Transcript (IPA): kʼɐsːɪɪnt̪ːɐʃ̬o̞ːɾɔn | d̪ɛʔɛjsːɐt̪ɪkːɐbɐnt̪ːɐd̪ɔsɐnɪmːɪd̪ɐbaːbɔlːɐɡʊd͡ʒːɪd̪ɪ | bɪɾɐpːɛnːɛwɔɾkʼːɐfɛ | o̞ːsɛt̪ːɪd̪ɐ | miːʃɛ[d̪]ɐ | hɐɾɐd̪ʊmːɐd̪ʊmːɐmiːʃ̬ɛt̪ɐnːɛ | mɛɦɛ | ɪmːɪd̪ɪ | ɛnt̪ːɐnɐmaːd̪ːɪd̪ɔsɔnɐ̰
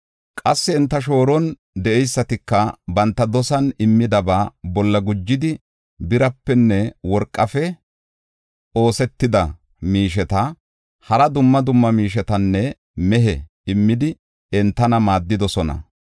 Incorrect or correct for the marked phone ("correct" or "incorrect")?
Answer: incorrect